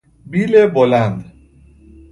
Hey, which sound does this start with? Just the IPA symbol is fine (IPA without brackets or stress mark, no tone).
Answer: b